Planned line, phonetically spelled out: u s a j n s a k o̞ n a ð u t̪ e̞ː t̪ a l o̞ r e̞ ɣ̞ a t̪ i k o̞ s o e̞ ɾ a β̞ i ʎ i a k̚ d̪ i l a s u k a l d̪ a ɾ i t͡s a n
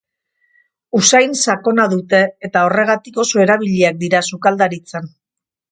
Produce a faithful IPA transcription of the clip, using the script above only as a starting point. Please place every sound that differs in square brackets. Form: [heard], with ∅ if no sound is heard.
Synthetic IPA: u s a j n s a k o̞ n a ð u t̪ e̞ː t̪ a [∅] o̞ r e̞ ɣ̞ a t̪ i k o̞ s o e̞ ɾ a β̞ i ʎ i a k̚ d̪ i [ɾ] a s u k a l d̪ a ɾ i t͡s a n